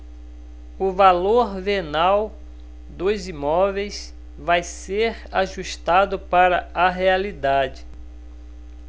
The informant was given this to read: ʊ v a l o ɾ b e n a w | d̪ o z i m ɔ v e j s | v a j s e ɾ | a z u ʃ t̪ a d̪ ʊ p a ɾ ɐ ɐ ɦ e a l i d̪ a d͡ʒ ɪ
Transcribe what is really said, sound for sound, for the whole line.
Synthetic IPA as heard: ʊ v a l o ɾ v e n a w | d̪ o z i m ɔ v e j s | v a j s e ɾ | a ʒ u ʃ t̪ a d̪ ʊ p a ɾ ɐ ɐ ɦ e a l i d̪ a d͡ʒ ɪ